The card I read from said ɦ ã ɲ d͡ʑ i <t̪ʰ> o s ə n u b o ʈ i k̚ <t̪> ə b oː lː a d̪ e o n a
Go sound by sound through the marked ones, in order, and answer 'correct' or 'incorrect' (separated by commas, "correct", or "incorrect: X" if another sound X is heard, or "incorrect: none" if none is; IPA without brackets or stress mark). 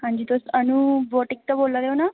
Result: incorrect: t̪, correct